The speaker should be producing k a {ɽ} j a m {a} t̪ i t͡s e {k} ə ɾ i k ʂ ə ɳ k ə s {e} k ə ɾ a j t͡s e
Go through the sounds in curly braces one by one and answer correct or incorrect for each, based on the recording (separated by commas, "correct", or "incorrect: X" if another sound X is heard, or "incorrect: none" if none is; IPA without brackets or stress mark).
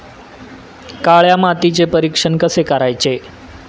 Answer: incorrect: ɭ, correct, incorrect: p, correct